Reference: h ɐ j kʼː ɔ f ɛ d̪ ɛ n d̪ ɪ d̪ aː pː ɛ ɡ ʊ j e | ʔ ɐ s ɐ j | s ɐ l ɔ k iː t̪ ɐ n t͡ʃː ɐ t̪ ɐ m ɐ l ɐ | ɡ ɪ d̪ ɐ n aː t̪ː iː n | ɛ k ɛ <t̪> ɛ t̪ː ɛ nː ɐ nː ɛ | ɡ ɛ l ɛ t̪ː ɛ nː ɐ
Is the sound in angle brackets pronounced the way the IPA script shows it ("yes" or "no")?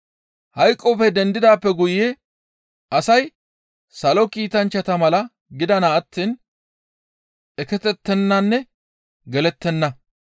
yes